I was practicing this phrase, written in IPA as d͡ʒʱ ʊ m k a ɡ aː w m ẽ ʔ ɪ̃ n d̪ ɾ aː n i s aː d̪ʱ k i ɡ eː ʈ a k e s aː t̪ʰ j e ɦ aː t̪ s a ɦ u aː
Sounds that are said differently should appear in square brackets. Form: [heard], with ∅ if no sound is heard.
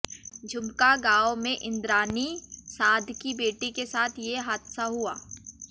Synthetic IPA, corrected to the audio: d͡ʒʱ ʊ m k a ɡ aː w m ẽ ʔ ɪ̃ n d̪ ɾ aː n i s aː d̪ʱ k i [b] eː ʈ [i] k e s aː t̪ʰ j e ɦ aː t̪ s a ɦ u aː